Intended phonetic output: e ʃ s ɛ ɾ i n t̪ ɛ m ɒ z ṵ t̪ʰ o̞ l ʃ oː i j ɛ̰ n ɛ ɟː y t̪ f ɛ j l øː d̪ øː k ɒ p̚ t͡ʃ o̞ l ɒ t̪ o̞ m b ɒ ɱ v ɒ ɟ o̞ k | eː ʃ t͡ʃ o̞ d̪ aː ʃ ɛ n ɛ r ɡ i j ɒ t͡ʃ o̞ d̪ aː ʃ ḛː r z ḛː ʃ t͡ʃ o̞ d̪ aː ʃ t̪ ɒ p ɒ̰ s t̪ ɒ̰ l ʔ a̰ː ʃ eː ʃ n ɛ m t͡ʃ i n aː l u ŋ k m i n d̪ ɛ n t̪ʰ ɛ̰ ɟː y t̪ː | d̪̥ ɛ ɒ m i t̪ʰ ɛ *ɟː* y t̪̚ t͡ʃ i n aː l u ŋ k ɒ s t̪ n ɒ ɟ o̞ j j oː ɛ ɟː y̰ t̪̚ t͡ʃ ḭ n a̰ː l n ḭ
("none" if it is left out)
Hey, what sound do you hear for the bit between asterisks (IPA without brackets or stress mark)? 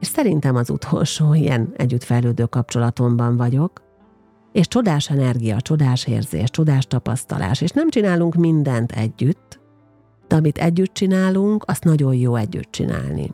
ɟː